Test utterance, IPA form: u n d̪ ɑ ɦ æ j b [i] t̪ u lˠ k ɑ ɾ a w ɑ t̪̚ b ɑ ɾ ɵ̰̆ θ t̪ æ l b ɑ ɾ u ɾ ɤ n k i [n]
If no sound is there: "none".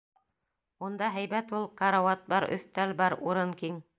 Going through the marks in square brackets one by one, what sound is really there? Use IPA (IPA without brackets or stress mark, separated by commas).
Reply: æ, ŋ